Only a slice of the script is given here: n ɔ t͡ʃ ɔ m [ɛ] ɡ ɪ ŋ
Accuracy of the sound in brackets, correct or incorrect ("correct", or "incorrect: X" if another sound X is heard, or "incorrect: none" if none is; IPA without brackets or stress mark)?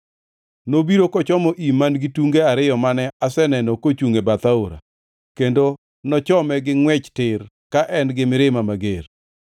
correct